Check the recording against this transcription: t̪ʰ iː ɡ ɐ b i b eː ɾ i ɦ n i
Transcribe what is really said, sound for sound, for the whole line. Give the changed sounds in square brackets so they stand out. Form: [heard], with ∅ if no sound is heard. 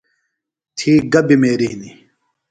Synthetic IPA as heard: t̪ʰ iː ɡ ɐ b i [m] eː ɾ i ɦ n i